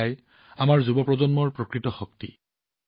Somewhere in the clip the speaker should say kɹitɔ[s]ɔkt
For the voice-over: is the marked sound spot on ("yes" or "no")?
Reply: no